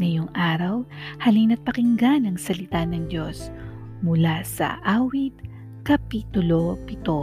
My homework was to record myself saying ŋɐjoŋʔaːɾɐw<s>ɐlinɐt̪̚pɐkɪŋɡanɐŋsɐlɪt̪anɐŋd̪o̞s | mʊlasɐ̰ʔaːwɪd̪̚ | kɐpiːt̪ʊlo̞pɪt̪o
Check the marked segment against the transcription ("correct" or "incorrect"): incorrect